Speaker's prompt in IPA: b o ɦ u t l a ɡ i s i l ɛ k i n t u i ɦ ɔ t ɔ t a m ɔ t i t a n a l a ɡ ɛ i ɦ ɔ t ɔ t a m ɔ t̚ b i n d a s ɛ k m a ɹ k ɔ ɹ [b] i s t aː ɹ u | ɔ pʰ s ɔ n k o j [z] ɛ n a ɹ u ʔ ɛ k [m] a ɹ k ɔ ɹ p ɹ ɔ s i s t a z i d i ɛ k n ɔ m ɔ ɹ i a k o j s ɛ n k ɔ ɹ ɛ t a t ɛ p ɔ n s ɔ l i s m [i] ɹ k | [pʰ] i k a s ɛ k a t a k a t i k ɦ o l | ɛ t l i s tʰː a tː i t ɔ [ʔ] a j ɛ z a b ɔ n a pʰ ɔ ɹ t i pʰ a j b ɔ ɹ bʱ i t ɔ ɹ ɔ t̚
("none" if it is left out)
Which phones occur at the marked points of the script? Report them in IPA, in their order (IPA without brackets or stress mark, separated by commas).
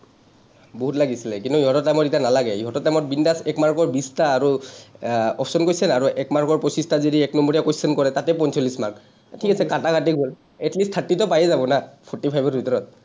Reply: b, s, m, a, tʰ, p